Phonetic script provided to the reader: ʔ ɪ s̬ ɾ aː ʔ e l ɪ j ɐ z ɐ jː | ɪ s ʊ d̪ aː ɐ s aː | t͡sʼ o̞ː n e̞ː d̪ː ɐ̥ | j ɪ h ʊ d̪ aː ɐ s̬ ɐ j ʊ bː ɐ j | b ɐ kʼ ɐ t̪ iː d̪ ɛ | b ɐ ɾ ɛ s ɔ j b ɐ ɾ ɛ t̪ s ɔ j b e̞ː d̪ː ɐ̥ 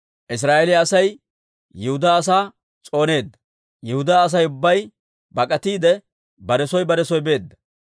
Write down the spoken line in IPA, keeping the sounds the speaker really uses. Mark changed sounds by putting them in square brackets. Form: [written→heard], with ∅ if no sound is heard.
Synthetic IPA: ʔ ɪ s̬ ɾ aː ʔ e l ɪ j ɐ [z→s] ɐ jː | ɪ [s→h] ʊ d̪ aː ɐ s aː | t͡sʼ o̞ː n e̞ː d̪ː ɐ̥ | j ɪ h ʊ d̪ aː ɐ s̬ ɐ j ʊ bː ɐ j | b ɐ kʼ ɐ t̪ iː d̪ ɛ | b ɐ ɾ ɛ s ɔ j b ɐ ɾ ɛ [t̪→∅] s ɔ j b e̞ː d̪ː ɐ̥